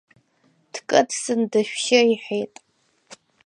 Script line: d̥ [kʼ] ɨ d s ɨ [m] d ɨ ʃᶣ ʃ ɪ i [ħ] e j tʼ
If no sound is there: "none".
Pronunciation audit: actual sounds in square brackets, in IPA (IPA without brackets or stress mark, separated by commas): kʼ, n, ħ